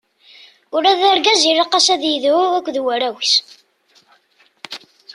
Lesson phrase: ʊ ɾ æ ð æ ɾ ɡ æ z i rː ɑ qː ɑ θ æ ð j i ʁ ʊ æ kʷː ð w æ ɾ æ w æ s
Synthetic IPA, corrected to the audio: ʊ ɾ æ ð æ ɾ ɡ æ z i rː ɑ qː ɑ s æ ð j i ð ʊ æ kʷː ð w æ ɾ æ w i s